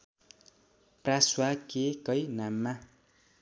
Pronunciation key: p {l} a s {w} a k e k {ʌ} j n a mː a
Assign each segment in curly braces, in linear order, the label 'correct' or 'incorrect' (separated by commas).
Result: incorrect, correct, correct